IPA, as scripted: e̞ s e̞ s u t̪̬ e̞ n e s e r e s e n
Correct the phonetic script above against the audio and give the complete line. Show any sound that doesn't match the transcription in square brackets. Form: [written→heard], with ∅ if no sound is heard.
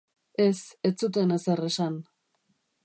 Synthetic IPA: e̞ s e̞ [s→t͡s] u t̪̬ e̞ n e s e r e s [e→a] n

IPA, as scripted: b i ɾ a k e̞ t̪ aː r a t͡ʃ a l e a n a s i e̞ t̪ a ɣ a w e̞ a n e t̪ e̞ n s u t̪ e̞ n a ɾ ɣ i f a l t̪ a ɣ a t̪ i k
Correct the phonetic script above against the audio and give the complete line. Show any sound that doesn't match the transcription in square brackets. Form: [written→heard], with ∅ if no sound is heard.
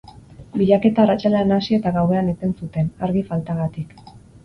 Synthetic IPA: b i [ɾ→ʎ] a k e̞ t̪ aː r a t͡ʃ a l e a n a s i e̞ t̪ a ɣ a w e̞ a n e t̪ e̞ n s u t̪ e̞ n a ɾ ɣ i f a l t̪ a ɣ a t̪ i k

